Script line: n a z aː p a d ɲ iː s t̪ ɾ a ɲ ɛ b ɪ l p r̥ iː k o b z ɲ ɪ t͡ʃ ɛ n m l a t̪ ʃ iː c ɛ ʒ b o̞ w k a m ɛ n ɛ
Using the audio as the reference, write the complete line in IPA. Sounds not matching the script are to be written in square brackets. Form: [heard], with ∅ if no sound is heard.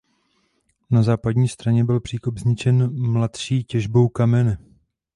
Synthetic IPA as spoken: n a z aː p a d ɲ iː s t̪ ɾ a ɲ ɛ b ɪ l p r̥ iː k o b z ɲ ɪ t͡ʃ ɛ n m l a t̪ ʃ iː c ɛ ʒ b o̞ w k a m ɛ n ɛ